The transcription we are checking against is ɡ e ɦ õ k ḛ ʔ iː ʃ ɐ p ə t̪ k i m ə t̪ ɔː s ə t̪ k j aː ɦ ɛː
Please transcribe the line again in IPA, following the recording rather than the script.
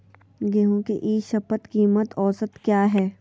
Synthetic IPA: ɡ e ɦ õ k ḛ ʔ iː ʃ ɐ p ə t̪ k iː m ə t̪ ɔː s ə t̪ k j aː ɦ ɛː